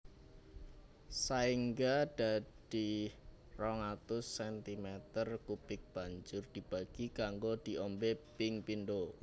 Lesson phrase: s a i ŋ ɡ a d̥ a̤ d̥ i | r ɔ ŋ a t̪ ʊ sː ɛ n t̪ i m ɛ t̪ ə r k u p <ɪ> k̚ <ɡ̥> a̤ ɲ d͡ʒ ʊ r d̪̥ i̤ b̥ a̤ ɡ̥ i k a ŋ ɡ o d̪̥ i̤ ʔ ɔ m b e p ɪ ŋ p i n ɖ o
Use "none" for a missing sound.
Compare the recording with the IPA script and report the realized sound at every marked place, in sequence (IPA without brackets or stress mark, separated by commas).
ɪ, b̥